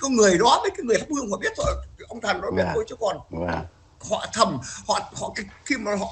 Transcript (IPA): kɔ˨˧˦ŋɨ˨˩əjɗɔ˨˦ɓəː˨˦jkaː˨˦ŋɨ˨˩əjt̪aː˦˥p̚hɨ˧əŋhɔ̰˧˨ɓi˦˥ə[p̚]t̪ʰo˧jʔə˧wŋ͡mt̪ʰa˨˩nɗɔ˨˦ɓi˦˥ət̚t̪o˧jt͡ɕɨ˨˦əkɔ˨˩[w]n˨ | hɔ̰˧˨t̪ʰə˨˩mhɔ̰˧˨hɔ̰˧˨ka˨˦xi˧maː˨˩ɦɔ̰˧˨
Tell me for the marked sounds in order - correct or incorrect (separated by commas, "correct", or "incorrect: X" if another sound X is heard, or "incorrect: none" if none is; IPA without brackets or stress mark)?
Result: incorrect: t̚, incorrect: none